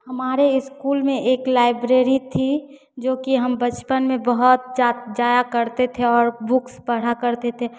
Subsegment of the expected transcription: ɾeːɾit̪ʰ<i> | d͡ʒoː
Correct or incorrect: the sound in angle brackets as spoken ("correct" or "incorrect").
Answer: correct